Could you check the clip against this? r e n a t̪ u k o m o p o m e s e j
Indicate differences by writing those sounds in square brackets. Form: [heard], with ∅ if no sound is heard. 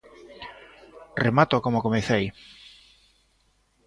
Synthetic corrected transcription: r e [m] a t̪ [o] k o m o [k] o m e [θ] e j